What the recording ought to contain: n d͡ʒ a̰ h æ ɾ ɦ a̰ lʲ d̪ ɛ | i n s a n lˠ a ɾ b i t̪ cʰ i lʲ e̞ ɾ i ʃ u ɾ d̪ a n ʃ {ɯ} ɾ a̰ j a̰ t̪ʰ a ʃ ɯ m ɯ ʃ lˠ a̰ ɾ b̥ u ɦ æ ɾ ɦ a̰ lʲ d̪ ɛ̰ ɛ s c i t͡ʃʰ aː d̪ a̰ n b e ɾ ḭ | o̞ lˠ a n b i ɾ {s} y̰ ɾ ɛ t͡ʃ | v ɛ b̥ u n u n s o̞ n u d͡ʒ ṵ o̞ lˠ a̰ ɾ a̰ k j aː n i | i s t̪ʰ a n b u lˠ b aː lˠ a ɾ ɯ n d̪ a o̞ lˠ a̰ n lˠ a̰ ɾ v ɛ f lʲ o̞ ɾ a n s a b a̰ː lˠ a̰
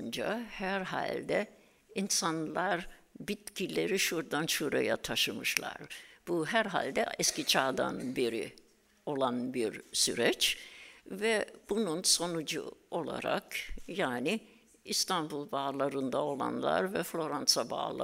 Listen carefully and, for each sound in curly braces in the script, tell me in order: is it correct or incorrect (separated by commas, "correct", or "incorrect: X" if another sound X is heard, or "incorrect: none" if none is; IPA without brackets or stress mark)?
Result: incorrect: u, correct